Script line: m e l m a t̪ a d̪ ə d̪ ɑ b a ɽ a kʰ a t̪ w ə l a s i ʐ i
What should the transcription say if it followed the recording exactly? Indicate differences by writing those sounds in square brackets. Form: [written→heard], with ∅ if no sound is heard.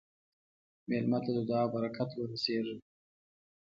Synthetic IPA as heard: m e l m a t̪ a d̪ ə d̪ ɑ b a [ɽ→ɾ] a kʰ a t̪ w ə [l→ɾ] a s [i→e] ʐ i